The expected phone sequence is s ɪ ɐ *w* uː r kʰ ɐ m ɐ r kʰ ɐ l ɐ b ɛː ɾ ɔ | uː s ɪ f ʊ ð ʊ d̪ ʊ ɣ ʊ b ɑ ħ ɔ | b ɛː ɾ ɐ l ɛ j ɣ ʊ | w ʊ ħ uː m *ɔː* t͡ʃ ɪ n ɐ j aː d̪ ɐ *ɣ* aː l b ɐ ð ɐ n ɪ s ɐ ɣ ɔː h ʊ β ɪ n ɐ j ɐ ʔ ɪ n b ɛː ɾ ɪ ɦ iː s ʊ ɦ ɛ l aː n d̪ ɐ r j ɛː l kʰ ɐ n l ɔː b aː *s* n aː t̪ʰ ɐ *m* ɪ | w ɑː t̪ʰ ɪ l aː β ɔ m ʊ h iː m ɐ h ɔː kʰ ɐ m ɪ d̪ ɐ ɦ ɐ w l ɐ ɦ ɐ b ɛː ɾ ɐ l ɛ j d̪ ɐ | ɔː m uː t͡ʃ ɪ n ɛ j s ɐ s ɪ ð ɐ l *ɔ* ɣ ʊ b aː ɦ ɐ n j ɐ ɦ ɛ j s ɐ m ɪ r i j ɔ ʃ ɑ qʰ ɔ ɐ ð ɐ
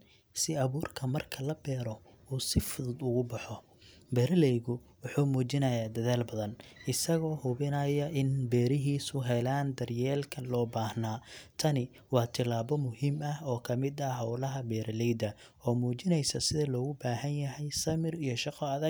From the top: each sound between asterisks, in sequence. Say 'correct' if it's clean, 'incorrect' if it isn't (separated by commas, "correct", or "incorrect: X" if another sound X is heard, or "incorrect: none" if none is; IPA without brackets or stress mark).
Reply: incorrect: β, incorrect: uː, incorrect: ð, incorrect: h, incorrect: n, incorrect: ɔː